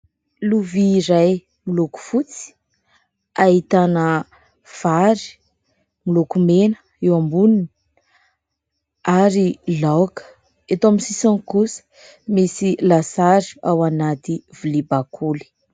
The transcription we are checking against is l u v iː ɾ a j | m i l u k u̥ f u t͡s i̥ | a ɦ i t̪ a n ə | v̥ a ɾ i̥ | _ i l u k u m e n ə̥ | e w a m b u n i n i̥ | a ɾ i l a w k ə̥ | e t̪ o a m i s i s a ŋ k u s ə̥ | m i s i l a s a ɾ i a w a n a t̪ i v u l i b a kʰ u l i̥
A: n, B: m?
B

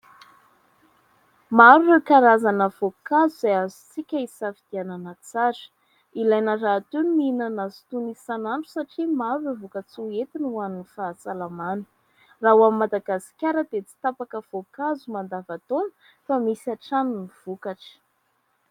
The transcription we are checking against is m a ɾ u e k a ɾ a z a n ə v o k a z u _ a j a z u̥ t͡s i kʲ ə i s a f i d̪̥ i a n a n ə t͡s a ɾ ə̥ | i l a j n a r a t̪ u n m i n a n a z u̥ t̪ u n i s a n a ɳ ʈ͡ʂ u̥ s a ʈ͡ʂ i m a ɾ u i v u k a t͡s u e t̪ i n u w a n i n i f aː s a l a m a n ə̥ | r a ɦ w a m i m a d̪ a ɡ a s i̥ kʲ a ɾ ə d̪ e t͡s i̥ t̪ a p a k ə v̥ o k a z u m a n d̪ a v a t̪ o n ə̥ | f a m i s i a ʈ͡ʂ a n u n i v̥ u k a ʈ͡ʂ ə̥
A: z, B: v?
A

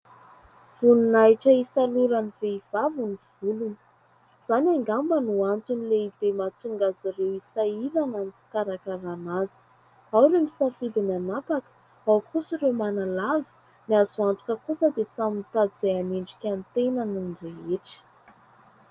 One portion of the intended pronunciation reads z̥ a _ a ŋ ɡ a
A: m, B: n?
B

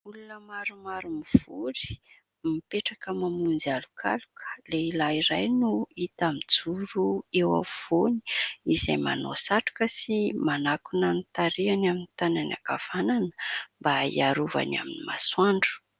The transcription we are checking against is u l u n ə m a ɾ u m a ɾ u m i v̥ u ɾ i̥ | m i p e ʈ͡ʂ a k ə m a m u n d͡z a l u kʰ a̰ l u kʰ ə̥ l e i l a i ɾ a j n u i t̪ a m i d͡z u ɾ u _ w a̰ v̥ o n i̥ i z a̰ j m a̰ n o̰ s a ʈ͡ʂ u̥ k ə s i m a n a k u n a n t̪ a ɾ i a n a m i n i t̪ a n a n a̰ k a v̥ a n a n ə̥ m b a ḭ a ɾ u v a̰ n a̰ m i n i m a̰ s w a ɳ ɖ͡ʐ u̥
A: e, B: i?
A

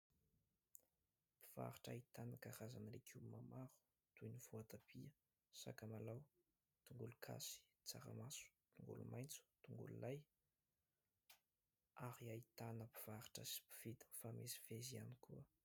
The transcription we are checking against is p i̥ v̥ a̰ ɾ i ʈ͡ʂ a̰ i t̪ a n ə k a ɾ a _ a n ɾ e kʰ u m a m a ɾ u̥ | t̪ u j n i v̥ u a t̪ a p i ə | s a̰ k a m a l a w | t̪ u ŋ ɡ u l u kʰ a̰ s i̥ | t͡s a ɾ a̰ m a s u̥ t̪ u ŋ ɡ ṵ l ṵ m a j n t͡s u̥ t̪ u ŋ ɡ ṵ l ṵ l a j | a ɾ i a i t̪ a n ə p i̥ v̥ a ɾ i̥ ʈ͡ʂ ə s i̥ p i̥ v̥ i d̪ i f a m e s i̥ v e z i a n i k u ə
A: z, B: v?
A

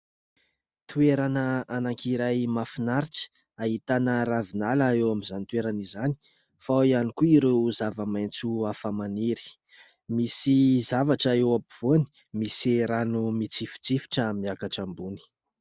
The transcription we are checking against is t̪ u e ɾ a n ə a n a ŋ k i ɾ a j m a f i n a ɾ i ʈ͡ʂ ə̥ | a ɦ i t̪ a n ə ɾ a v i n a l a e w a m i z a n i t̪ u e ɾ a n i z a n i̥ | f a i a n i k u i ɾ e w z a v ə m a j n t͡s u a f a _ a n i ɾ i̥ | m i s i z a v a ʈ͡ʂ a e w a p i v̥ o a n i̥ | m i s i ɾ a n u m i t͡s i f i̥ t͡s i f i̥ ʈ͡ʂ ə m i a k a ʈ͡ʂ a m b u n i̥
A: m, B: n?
A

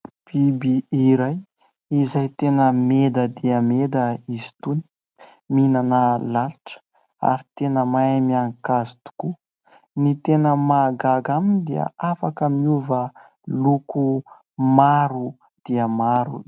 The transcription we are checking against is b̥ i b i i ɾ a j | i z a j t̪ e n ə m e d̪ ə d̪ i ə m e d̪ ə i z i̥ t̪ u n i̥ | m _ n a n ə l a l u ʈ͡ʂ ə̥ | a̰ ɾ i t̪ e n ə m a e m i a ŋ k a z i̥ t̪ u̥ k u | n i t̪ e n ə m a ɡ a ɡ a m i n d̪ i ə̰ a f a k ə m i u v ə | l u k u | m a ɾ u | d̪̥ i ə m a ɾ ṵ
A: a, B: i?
B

